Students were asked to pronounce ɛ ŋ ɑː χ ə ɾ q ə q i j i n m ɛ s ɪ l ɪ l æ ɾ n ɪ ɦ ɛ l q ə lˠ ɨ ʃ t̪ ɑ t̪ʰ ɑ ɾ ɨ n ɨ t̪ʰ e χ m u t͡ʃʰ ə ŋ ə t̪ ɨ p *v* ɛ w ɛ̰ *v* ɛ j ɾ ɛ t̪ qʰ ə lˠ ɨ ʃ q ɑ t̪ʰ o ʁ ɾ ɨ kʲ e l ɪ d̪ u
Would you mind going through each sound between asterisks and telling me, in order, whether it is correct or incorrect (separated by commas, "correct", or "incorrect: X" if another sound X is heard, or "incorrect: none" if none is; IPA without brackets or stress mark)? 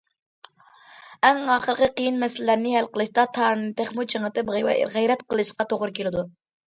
incorrect: ʁ, incorrect: ʁ